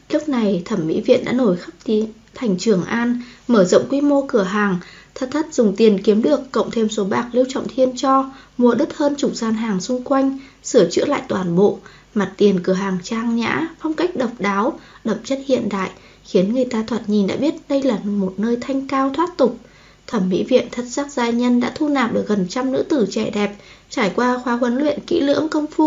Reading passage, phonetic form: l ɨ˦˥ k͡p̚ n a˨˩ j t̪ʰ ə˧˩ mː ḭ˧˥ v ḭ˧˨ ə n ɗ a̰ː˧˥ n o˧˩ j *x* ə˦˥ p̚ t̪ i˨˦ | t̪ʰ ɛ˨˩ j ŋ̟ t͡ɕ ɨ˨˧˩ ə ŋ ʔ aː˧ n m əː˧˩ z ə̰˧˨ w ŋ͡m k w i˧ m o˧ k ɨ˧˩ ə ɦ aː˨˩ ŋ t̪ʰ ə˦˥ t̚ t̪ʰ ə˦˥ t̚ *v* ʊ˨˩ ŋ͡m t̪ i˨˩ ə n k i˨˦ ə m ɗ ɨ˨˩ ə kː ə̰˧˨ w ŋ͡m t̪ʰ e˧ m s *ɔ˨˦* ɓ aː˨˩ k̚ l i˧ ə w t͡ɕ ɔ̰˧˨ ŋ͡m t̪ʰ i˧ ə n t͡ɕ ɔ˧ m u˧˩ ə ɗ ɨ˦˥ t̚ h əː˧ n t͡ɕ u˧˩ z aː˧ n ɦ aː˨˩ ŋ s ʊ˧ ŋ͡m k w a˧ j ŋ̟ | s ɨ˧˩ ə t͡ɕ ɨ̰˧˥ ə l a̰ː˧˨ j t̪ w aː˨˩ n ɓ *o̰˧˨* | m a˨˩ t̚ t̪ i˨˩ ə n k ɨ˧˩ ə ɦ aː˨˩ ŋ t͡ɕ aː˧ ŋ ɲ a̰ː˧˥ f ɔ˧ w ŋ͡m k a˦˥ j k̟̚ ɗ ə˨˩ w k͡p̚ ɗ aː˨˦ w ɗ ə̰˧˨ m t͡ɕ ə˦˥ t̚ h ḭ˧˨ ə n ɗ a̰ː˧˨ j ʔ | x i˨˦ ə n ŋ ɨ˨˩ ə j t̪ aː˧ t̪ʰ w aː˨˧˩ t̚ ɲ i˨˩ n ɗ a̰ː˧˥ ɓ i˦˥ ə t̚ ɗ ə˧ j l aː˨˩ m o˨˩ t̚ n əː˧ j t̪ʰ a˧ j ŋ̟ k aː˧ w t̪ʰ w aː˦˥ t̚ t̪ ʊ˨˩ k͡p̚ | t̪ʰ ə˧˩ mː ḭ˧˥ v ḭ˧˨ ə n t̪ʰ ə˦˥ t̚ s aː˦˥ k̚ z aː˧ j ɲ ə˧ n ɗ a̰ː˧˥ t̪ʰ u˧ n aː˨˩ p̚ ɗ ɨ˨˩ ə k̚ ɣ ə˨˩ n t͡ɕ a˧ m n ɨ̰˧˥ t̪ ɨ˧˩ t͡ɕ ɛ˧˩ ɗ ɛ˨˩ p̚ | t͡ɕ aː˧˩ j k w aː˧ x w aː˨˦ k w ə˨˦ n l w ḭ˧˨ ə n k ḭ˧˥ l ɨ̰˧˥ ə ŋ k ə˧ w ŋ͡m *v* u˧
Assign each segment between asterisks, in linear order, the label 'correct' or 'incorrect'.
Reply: correct, incorrect: z, incorrect: o˨˦, correct, incorrect: f

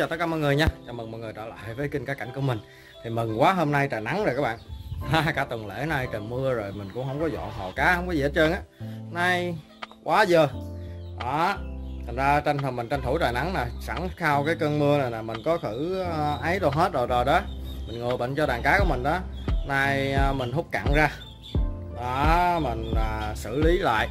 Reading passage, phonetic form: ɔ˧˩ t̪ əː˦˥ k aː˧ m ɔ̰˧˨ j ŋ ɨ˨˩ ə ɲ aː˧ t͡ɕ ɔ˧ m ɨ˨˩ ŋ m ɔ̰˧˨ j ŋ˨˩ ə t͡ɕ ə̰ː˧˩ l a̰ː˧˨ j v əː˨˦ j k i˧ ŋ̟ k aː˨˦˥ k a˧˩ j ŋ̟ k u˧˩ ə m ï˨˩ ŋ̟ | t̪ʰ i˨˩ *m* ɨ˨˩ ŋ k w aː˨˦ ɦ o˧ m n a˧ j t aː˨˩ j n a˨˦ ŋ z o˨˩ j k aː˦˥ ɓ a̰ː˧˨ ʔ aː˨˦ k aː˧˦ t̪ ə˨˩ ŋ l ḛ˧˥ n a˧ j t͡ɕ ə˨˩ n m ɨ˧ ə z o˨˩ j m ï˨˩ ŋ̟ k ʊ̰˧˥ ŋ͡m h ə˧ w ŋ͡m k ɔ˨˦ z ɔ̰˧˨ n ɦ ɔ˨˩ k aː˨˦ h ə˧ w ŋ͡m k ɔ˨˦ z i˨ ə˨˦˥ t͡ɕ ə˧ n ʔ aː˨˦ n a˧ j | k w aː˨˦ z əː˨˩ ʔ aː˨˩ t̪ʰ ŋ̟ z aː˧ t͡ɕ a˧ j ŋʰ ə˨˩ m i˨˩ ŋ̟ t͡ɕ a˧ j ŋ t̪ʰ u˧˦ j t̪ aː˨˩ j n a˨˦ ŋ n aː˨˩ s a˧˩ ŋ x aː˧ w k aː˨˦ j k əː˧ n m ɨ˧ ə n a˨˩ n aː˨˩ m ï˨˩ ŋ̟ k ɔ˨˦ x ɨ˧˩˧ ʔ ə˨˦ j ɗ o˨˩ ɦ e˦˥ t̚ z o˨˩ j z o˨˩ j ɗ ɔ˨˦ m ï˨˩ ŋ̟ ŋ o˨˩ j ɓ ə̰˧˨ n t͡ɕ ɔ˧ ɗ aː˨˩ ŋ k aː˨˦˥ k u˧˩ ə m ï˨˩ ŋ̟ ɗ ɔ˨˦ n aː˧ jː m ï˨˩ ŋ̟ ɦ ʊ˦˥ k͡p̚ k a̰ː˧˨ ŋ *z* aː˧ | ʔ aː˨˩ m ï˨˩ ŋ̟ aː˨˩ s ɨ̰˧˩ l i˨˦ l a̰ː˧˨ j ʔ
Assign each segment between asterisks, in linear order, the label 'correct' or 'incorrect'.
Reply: correct, correct

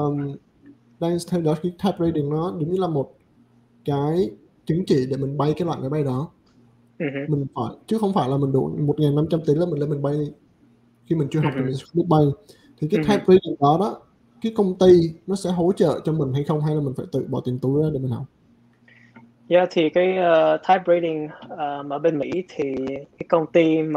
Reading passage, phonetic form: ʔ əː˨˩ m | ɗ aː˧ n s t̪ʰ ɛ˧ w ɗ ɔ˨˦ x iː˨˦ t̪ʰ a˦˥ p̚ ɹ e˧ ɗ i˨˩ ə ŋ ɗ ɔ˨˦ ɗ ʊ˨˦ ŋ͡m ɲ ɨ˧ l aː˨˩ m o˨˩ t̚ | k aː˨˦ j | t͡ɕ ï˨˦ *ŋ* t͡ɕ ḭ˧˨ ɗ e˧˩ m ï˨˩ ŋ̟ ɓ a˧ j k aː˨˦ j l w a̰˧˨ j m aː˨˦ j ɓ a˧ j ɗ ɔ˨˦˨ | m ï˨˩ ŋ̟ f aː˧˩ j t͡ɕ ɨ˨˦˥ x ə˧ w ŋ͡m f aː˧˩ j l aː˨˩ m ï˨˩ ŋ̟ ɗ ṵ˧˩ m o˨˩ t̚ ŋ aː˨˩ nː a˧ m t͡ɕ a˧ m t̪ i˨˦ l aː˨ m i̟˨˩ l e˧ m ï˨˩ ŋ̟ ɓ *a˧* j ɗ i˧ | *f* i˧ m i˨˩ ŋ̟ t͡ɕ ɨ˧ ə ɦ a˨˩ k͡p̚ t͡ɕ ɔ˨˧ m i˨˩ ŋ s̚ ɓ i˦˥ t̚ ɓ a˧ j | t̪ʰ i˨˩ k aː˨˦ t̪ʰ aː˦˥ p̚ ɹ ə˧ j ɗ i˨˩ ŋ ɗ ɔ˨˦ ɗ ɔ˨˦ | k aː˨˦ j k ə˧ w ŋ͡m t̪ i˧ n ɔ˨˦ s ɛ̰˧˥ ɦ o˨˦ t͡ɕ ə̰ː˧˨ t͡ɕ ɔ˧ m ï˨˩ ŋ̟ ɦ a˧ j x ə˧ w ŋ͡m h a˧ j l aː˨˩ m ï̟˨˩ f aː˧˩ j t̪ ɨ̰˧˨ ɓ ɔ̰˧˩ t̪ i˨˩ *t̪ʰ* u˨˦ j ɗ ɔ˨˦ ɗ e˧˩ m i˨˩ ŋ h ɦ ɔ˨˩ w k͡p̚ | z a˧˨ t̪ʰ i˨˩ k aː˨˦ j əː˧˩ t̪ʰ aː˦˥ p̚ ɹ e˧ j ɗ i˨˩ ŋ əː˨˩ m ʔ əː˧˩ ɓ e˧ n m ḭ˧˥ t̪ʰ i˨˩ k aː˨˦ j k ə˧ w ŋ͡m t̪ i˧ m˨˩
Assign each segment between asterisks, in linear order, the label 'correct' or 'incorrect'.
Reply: correct, correct, incorrect: x, incorrect: t̪

